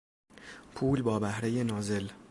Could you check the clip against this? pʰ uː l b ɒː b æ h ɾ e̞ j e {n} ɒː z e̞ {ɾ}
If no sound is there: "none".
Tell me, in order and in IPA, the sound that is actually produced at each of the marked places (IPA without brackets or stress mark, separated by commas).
n, l